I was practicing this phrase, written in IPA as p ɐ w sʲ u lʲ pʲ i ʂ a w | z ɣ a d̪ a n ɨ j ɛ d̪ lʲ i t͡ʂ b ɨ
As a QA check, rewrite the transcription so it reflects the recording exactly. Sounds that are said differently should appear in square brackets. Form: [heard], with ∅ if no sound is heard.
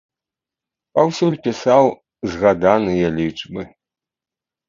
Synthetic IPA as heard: p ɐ w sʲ u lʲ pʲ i [s] a w | z ɣ a d̪ a n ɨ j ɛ [∅] lʲ i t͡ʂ b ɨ